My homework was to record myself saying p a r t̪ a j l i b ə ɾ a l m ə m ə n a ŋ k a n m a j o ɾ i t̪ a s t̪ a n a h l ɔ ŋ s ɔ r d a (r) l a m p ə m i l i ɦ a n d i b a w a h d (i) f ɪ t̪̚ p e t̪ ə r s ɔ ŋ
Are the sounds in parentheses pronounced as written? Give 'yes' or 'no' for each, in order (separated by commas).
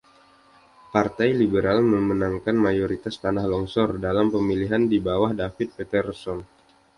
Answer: no, no